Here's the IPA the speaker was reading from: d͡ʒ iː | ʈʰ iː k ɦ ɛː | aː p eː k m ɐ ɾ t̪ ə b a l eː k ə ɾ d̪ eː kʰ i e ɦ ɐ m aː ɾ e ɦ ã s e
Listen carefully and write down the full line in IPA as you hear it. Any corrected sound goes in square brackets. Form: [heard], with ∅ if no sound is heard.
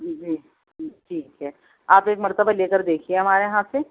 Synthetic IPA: d͡ʒ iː | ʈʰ iː k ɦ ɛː | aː p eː k m ɐ ɾ t̪ ə b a l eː k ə ɾ d̪ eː kʰ i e ɦ ɐ m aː ɾ e ɦ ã s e